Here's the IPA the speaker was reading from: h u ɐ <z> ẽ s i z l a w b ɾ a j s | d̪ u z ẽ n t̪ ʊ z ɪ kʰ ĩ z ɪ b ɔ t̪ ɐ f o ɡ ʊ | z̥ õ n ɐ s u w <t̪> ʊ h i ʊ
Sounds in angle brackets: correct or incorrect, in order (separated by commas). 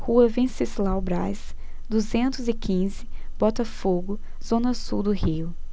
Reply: incorrect, incorrect